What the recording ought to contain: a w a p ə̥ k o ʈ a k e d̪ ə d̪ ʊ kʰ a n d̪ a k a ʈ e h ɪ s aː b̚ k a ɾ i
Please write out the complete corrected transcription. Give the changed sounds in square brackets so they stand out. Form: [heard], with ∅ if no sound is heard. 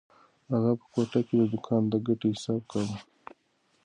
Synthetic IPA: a [ɣ] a p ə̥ k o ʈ a k e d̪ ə d̪ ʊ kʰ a n d̪ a [ɡ] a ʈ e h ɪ s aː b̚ k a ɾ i